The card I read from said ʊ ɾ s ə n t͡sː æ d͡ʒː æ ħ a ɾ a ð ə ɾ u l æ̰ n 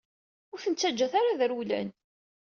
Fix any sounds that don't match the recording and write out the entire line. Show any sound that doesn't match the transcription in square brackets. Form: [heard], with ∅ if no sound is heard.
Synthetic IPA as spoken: ʊ ɾ [θ] ə n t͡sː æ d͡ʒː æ [θ] a ɾ a ð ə ɾ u l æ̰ n